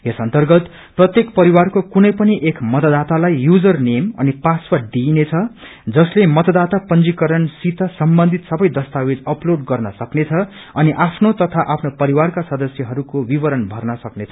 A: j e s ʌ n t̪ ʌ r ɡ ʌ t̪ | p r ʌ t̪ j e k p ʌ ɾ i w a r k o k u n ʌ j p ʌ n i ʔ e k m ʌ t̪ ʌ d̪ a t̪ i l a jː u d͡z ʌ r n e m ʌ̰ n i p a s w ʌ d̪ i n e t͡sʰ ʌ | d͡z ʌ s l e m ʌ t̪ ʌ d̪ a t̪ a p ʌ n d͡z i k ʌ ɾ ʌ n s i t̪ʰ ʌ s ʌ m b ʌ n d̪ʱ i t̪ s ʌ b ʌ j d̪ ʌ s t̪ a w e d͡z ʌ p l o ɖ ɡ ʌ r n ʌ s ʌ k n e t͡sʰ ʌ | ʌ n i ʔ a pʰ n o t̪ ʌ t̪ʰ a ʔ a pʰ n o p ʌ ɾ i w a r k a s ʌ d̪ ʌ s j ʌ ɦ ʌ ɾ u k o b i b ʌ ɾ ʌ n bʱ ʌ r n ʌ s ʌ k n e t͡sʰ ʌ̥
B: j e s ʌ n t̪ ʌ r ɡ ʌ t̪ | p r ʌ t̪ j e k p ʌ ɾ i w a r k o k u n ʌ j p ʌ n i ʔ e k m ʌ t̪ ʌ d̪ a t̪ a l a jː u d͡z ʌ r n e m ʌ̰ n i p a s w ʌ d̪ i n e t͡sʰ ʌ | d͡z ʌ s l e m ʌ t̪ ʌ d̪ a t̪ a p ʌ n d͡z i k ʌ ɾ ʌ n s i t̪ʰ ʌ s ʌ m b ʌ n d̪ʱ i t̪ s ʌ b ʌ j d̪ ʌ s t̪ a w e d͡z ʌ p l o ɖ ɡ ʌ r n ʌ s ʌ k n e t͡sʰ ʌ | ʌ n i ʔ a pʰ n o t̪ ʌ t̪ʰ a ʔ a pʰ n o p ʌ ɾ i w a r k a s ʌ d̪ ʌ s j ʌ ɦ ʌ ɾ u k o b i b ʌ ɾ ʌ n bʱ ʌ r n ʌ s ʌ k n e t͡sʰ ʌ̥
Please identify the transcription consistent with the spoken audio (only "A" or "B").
B